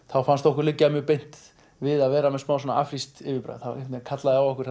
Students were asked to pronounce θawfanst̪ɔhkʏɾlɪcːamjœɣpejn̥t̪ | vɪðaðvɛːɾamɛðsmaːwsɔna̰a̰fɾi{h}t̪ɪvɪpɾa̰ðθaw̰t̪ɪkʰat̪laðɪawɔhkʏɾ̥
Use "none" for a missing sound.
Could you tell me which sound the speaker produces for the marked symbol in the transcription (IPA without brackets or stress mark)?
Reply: s